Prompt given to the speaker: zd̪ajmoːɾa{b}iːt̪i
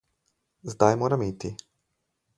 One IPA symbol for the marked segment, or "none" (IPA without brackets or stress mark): m